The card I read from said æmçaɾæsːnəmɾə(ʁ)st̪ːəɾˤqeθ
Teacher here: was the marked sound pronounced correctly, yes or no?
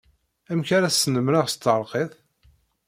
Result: yes